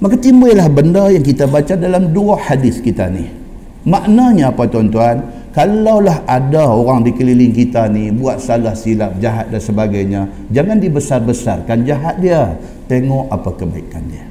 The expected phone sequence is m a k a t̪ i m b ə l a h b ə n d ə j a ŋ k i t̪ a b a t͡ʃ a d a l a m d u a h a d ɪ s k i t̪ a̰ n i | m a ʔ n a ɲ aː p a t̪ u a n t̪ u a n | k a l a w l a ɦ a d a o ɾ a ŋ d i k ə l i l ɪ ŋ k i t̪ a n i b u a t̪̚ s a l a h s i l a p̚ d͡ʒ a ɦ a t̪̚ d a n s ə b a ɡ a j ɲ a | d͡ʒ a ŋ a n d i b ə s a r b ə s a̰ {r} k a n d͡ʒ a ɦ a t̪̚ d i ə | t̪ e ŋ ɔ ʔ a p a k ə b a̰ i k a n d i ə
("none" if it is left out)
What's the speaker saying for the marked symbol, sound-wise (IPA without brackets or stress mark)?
r